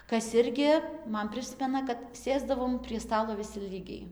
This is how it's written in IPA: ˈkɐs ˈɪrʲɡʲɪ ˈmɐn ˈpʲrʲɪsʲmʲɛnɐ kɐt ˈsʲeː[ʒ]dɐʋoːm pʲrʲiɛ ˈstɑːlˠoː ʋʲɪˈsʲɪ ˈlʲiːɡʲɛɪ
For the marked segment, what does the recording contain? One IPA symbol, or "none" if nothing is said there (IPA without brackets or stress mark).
z